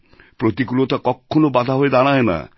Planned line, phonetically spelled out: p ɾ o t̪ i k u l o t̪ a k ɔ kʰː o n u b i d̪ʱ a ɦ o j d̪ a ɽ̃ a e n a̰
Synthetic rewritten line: p ɾ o t̪ i k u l o t̪ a k ɔ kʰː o n o b a d̪ʱ a ɦ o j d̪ a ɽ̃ a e n a̰